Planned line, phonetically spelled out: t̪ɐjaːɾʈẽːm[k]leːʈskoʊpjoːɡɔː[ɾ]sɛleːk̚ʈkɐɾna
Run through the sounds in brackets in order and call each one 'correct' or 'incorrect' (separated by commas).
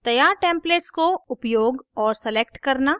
incorrect, correct